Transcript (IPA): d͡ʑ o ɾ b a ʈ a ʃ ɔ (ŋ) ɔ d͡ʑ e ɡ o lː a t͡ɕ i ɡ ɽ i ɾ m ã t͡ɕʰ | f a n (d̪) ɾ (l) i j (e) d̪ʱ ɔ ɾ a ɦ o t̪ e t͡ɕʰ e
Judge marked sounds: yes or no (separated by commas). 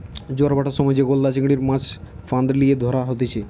no, yes, yes, yes